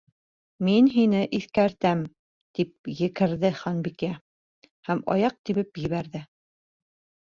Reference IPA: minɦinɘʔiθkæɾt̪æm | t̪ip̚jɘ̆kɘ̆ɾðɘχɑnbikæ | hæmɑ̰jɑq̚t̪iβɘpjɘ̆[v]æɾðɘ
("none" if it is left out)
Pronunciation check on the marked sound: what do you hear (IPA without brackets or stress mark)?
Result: β